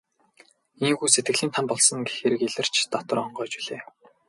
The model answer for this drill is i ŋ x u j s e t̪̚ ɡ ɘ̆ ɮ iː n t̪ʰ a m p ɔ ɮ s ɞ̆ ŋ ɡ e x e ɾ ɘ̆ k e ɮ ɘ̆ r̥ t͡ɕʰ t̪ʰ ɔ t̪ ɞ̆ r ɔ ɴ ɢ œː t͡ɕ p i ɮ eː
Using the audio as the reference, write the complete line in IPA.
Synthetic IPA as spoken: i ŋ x u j s e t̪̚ ɡ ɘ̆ ɮ iː n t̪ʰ a m p ɔ ɮ s ɞ̆ ŋ ɡ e x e ɾ ɘ̆ k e ɮ ɘ̆ r̥ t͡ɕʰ t̪ ɔ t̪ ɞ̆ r ɔ ɴ ɢ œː t͡ɕ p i ɮ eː